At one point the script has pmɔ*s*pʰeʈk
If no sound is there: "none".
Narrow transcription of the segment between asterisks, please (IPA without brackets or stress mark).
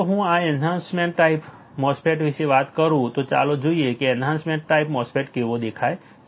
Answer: s